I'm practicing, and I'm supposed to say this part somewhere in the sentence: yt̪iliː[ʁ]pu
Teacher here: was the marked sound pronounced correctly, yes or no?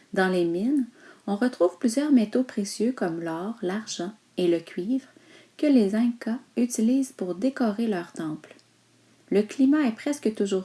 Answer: no